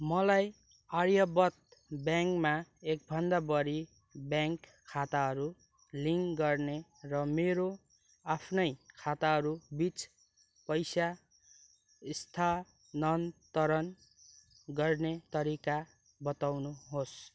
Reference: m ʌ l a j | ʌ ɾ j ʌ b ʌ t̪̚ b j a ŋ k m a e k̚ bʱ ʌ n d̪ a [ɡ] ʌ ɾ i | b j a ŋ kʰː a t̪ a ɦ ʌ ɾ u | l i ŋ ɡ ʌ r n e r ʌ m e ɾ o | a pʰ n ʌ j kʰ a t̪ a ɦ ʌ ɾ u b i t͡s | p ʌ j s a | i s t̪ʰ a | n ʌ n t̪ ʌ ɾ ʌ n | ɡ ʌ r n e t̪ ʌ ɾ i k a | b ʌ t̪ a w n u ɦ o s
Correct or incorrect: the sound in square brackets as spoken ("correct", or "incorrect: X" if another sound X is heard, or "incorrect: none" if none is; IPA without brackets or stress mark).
incorrect: b